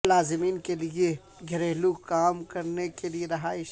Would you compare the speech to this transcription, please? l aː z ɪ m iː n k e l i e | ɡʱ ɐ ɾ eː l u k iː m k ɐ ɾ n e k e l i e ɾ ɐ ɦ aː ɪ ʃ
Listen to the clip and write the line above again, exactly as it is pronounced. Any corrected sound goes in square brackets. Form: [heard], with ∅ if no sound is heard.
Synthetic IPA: l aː z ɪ m iː n k e l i e | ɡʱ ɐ ɾ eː l u k [aː] m k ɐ ɾ n e k e l i e ɾ ɐ ɦ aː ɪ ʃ